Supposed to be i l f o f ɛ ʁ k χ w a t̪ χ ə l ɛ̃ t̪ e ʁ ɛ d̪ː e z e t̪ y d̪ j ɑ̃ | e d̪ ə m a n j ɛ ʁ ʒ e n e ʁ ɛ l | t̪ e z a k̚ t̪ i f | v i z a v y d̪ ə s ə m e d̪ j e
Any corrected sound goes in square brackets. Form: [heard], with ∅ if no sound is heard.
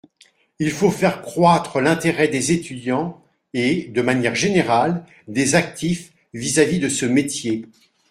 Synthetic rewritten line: i l f o f ɛ ʁ k χ w a t̪ χ ə l ɛ̃ t̪ e ʁ ɛ [d̪] e z e t̪ y d̪ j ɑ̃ | e d̪ ə m a n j ɛ ʁ ʒ e n e ʁ [a] l | [d̪] e z a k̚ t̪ i f | v i z a v [i] d̪ ə s ə m e [t̪] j e

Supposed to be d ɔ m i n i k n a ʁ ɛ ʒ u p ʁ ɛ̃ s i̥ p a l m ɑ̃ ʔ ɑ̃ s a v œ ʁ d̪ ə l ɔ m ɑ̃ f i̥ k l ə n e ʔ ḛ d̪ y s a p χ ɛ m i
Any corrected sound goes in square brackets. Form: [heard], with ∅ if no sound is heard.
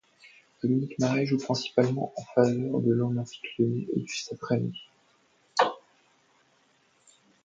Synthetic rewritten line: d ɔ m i n i k [m] a ʁ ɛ ʒ u p [χ] ɛ̃ s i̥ p a l m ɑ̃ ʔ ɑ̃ [f] a v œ ʁ d̪ ə l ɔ m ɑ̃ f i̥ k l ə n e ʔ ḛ d̪ y s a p χ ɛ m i

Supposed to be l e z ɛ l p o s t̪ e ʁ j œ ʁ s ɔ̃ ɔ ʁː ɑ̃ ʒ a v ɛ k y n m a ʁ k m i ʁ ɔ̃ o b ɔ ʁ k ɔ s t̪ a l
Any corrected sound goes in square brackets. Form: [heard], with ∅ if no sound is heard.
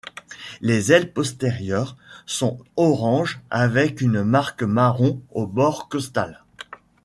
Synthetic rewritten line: l e z ɛ l p [ɔ] s t̪ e ʁ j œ ʁ s ɔ̃ ɔ [ʁ] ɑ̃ ʒ a v ɛ k y n m a ʁ k m [a] ʁ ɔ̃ o b ɔ ʁ k ɔ s t̪ a l

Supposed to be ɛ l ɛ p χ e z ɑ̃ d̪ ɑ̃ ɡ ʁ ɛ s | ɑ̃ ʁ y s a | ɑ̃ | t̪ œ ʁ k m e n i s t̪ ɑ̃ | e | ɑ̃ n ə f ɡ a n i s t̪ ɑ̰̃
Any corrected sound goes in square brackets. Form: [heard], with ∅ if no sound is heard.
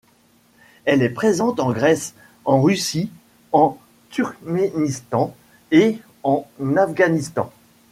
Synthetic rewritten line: ɛ l ɛ p χ e z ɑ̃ [t̪] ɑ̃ ɡ ʁ ɛ s | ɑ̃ ʁ y s [i] | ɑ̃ | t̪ [y] ʁ k m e n i s t̪ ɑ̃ | e | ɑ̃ n [a] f ɡ a n i s t̪ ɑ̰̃

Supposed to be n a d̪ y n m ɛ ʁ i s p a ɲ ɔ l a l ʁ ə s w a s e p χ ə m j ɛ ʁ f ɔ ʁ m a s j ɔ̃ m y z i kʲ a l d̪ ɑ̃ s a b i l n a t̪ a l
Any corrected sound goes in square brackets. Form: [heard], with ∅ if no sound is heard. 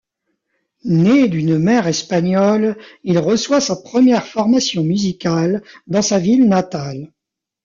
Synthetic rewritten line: n [e] d̪ y n m ɛ ʁ [ɛ] s p a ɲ ɔ l [i] l ʁ ə s w a s [a] p χ ə m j ɛ ʁ f ɔ ʁ m a s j ɔ̃ m y z i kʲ a l d̪ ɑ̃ s a [v] i l n a t̪ a l

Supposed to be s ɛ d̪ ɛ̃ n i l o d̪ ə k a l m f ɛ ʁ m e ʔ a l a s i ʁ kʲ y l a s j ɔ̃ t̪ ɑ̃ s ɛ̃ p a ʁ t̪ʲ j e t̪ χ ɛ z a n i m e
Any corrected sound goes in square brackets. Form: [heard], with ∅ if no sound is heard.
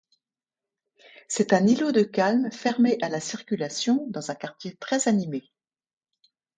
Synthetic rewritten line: s ɛ [t̪] ɛ̃ n i l o d̪ ə k a l m f ɛ ʁ m e ʔ a l a s i ʁ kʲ y l a s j ɔ̃ [d̪] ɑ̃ [z] ɛ̃ [k] a ʁ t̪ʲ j e t̪ χ ɛ z a n i m e

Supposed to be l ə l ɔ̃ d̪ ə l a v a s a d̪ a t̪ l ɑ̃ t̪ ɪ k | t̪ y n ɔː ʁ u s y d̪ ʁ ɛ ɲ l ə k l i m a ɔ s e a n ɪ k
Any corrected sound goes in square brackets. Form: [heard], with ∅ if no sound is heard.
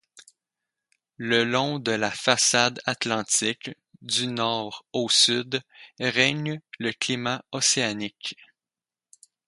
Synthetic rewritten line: l ə l ɔ̃ d̪ ə l a [f] a s a d̪ a t̪ l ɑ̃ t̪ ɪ k | [d̪] y n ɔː ʁ [o] s y d̪ ʁ ɛ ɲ l ə k l i m a ɔ s e a n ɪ k

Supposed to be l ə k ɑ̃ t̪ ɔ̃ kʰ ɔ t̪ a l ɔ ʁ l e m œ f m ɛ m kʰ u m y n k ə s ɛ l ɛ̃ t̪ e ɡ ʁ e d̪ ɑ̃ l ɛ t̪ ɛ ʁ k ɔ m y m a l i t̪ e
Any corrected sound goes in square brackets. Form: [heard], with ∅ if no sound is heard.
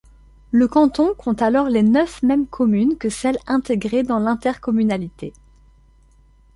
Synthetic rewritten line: l ə k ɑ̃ t̪ ɔ̃ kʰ [ɔ̃] t̪ a l ɔ ʁ l e [n] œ f m ɛ m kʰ [ɔ] m y n k ə s ɛ l ɛ̃ t̪ e ɡ ʁ e d̪ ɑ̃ l [ɛ̃] t̪ ɛ ʁ k ɔ m y [n] a l i t̪ e

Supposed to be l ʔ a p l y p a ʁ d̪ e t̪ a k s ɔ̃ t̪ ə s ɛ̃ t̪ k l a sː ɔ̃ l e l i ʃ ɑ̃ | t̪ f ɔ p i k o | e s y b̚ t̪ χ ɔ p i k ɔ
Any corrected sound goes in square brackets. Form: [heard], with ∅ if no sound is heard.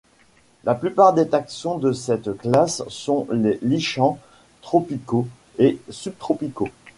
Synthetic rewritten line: l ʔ a p l y p a ʁ d̪ e t̪ a k s ɔ̃ [d̪] ə s [ɛ] t̪ k l a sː ɔ̃ l e l i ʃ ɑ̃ | t̪ [χ] ɔ p i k o | e s y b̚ t̪ χ ɔ p i k [o]

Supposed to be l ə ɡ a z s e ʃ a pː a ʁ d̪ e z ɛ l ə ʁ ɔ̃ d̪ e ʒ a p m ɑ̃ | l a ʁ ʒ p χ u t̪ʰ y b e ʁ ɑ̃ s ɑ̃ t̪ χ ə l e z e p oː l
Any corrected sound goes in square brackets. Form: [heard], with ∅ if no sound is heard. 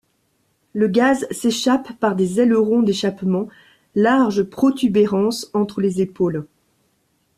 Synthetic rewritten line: l ə ɡ a z s e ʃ a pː a ʁ d̪ e z ɛ l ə ʁ ɔ̃ d̪ e [ʃ] a p m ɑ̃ | l a ʁ ʒ p χ [ɔ] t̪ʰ y b e ʁ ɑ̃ s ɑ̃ t̪ χ ə l e z e p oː l

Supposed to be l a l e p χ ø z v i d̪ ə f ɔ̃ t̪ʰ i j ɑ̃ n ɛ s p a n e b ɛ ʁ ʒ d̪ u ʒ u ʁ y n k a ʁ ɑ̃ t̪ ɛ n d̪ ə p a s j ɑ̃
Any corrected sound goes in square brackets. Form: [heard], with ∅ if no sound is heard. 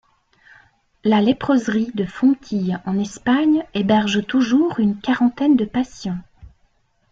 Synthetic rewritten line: l a l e p χ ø z [ʁ] i d̪ ə f ɔ̃ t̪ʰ i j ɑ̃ n ɛ s p a [ɲ] e b ɛ ʁ ʒ [t̪] u ʒ u ʁ y n k a ʁ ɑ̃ t̪ ɛ n d̪ ə p a s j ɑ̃

